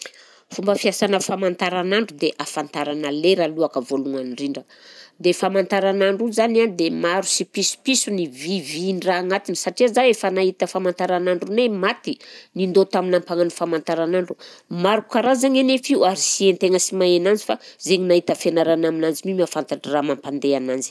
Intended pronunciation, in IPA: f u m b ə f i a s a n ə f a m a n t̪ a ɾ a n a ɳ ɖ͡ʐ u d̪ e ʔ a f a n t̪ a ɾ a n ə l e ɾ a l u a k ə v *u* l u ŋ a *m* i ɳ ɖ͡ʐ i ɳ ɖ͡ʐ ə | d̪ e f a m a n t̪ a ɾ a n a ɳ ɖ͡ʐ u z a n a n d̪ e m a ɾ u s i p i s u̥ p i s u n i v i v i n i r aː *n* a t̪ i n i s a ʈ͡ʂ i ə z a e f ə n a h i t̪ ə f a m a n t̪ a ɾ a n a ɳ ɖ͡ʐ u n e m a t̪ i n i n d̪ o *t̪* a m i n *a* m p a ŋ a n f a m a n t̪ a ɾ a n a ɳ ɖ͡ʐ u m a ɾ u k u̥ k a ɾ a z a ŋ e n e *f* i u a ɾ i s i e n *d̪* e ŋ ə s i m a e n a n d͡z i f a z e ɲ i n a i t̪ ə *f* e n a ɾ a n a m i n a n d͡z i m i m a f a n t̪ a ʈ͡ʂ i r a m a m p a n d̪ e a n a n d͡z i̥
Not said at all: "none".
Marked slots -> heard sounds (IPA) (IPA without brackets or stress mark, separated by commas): o, n, ŋ, t̪, a, f, t̪, f